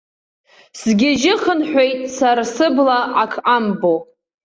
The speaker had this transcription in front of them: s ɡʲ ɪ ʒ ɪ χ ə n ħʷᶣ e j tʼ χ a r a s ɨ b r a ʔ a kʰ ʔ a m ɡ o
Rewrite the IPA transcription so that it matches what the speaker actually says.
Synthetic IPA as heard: s ɡʲ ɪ ʒ ɪ χ ə n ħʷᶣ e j tʼ s a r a s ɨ b l a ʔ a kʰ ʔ a m b o

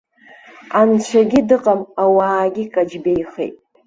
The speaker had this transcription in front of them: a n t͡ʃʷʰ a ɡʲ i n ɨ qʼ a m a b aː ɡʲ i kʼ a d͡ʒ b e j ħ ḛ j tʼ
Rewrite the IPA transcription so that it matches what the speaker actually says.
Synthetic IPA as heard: a n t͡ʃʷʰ a ɡʲ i d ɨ qʼ a m a w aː ɡʲ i kʼ a d͡ʒ b e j χ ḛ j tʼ

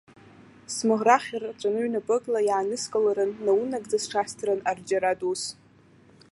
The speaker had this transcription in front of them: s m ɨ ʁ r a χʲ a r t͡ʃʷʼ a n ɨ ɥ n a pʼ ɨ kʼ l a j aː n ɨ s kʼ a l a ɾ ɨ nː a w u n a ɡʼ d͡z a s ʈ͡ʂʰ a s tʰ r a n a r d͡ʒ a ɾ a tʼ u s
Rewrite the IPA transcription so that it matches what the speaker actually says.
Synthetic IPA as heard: s m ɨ ʁ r a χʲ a r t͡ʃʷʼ a n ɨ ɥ n a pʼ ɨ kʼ l a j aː n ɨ s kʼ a l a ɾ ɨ nː a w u n a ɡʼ d͡z a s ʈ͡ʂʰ a s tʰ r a n a r d͡ʒ a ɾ a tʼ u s

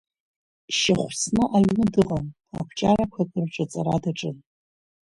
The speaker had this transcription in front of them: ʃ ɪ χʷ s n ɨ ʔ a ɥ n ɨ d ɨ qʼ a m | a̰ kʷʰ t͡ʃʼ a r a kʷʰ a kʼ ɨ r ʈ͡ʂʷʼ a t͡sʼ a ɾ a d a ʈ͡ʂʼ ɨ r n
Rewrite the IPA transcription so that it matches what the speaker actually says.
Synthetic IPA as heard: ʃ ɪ χʷ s n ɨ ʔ a ɥ n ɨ d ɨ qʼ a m | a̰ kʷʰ t͡ʃʼ a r a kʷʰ a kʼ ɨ r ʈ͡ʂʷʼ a t͡sʼ a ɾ a d a ʈ͡ʂʼ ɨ n

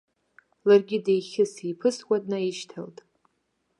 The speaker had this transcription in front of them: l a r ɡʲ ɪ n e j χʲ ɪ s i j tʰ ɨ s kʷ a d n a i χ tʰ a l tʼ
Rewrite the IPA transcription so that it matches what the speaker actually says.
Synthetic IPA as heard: l a r ɡʲ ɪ d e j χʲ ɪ s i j pʰ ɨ s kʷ a d n a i ʃ tʰ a l tʼ

